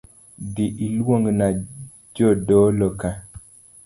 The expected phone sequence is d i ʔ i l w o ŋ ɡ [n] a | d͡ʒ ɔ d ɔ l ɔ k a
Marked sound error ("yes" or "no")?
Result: no